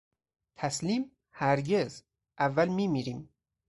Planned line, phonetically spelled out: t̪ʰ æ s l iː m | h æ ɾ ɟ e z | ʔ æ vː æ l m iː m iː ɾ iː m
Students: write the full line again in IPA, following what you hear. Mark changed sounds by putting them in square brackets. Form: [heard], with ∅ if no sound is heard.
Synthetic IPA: t̪ʰ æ s l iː m | h æ ɾ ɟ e z | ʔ æ vː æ l m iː m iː ɾ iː m